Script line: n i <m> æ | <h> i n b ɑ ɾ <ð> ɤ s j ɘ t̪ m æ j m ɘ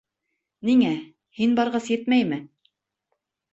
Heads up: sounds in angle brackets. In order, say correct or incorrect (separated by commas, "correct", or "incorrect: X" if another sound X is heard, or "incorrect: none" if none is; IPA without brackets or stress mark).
incorrect: ŋ, correct, incorrect: ʁ